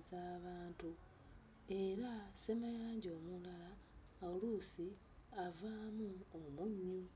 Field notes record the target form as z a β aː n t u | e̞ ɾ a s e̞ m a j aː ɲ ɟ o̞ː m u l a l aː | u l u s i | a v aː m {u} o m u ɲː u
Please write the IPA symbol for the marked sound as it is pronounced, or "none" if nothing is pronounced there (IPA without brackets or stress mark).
u